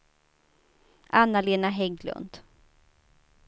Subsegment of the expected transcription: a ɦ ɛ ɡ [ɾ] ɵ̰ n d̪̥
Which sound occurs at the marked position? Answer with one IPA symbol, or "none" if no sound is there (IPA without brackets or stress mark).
l